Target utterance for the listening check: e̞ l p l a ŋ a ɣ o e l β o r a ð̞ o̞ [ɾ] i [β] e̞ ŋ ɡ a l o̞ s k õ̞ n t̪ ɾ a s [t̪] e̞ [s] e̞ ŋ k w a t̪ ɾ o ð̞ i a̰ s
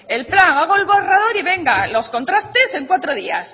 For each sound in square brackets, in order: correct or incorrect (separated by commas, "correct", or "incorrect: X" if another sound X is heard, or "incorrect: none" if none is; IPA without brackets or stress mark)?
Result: correct, correct, correct, correct